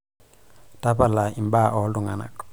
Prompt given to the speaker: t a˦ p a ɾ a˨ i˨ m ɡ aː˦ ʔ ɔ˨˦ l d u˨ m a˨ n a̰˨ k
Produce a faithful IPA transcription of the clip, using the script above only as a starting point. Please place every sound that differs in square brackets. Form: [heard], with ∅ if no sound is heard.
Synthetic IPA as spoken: t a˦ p a [l] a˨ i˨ m [b] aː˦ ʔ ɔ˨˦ l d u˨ [ŋ] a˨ n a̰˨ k